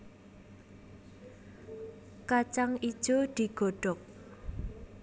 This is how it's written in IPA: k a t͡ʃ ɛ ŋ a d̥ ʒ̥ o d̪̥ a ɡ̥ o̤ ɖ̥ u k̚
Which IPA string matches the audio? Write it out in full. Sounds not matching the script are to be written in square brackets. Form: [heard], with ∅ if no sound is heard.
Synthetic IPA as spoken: k a t͡ʃ [a] ŋ [i] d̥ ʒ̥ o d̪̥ [i] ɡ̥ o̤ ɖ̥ [ɔ] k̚